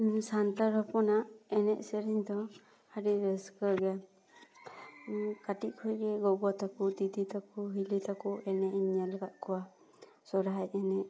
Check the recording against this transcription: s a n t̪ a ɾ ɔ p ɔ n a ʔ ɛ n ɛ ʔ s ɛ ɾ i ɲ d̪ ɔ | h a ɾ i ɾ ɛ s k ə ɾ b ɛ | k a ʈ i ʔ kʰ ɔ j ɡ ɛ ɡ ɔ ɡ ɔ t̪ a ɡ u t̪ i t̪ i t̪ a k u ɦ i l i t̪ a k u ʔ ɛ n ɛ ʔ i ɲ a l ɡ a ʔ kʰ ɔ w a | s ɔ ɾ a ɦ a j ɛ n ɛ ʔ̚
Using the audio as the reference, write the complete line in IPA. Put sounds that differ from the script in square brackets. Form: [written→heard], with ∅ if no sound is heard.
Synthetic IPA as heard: s a n t̪ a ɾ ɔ p ɔ n a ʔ ɛ n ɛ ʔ s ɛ ɾ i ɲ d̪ ɔ | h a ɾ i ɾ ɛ s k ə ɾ [b→ɡ] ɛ | k a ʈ i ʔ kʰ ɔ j ɡ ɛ ɡ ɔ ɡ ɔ t̪ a [ɡ→k] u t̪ i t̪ i t̪ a k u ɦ i l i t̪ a k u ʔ ɛ n ɛ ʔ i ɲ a l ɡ a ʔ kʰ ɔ w a | s ɔ ɾ a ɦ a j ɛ n ɛ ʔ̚